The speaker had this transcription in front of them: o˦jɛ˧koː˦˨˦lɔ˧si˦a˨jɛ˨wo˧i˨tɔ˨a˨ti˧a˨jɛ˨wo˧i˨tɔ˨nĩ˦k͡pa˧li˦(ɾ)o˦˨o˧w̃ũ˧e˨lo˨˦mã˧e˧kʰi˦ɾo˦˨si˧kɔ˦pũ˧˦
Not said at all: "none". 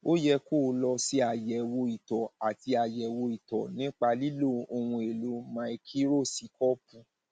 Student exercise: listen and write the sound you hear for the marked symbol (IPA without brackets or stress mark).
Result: l